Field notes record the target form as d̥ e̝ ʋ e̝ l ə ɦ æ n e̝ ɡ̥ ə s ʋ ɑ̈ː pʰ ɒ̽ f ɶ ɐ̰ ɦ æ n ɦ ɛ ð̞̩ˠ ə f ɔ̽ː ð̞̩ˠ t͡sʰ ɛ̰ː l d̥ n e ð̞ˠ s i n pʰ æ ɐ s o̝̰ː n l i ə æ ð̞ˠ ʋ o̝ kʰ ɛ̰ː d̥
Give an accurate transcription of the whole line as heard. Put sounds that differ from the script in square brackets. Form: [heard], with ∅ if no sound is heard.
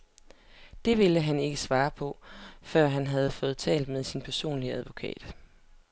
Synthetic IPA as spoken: d̥ e̝ ʋ e̝ l ə ɦ æ n e̝ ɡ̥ ə s ʋ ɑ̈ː pʰ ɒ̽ f ɶ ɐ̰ ɦ æ n ɦ [æ] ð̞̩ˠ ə f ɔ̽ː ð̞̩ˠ t͡sʰ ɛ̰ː l d̥ [m] e ð̞ˠ s i n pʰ æ ɐ s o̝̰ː n l i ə æ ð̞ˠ ʋ o̝ kʰ ɛ̰ː d̥